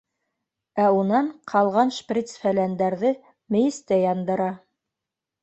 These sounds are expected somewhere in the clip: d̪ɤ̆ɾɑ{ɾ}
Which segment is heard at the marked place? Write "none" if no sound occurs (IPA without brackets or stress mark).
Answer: none